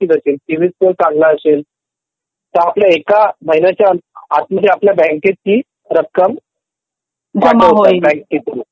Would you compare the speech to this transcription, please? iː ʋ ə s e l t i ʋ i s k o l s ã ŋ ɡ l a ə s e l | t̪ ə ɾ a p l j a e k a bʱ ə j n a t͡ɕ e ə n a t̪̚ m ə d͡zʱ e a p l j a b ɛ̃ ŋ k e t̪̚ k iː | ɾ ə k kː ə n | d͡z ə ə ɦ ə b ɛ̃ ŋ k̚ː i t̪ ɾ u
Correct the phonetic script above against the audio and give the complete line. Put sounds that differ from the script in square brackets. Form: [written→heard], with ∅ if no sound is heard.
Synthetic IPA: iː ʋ ə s e l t i ʋ i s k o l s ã ŋ ɡ l a ə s e l | t̪ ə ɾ a p l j a e k a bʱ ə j n a t͡ɕ [e→a] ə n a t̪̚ m ə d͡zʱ e a p l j a b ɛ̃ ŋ k e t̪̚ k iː | ɾ ə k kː ə [n→m] | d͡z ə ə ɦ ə b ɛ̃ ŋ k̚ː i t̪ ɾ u